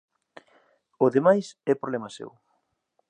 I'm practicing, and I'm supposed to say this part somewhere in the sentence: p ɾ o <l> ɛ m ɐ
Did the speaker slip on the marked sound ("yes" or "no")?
no